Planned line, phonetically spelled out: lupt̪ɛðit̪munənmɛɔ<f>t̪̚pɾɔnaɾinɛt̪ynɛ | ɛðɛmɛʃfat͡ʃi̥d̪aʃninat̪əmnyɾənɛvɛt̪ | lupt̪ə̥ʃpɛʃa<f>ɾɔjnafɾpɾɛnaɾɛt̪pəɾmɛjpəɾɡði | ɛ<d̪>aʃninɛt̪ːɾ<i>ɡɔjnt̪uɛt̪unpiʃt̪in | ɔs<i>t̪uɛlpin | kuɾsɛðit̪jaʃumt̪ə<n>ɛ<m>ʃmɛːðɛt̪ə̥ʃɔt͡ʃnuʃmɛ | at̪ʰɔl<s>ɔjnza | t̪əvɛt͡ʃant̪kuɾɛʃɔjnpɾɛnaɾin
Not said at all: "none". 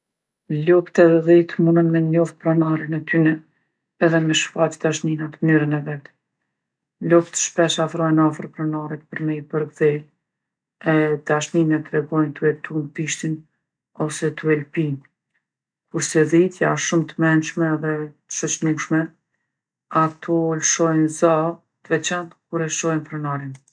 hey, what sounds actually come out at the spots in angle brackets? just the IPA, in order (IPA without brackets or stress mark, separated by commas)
f, f, d̪, ɛ, ɛ, m, n, ʃ